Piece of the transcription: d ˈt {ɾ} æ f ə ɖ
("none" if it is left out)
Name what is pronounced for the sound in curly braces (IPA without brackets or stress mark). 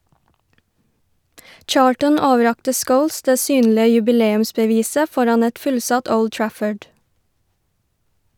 ɹ